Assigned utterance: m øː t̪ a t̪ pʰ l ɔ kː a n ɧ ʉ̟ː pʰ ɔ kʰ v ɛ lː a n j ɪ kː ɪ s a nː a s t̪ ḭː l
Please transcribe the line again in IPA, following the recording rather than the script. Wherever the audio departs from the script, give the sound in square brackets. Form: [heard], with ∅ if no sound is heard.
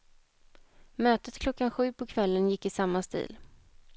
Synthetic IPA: m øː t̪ [ə] t̪ [kʰ] l ɔ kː a n ɧ ʉ̟ː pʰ ɔ kʰ v ɛ lː [ə] n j ɪ kː ɪ s a [mː] a s t̪ ḭː l